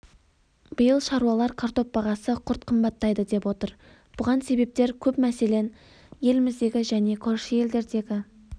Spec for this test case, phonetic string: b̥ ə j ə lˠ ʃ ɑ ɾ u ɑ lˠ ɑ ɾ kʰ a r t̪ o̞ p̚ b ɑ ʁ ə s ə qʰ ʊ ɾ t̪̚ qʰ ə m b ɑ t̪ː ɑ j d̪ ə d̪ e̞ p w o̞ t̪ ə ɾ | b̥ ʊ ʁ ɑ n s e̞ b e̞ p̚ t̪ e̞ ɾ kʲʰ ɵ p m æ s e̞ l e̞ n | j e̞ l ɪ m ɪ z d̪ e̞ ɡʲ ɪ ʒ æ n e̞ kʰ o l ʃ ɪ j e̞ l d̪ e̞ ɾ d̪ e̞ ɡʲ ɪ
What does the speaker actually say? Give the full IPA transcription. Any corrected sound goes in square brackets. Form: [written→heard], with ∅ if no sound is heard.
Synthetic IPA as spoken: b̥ ə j ə lˠ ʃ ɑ ɾ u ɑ lˠ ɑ ɾ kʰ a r t̪ o̞ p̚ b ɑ ʁ [ə→ɑ] s ə qʰ ʊ ɾ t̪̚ qʰ ə m b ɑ t̪ː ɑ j d̪ ə d̪ e̞ p w o̞ t̪ ə ɾ | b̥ ʊ ʁ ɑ n s e̞ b e̞ p̚ t̪ e̞ ɾ kʲʰ ɵ p m æ s e̞ l e̞ n | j e̞ l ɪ m ɪ z d̪ e̞ ɡʲ ɪ ʒ æ n e̞ kʰ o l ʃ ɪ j e̞ l d̪ e̞ ɾ d̪ e̞ ɡʲ ɪ